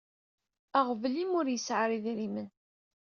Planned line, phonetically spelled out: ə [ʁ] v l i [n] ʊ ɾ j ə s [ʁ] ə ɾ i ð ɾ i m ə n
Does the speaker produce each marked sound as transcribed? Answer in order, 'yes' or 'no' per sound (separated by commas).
yes, no, no